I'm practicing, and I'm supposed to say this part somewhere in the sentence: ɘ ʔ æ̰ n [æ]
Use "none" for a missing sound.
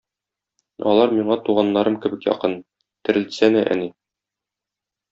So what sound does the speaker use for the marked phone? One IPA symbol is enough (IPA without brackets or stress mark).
i